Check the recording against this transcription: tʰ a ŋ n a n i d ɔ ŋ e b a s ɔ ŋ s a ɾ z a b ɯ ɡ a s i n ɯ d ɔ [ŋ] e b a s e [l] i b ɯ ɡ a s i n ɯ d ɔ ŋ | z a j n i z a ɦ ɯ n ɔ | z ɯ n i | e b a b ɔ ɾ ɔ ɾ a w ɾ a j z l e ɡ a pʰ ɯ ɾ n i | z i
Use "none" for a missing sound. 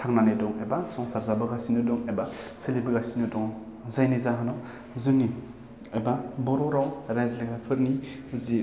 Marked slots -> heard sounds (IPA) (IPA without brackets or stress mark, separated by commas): ŋ, l